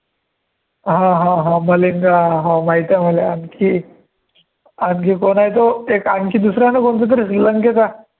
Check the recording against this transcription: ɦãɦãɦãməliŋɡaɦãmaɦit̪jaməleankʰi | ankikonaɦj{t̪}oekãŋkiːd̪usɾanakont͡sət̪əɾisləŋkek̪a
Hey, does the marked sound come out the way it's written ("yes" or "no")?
yes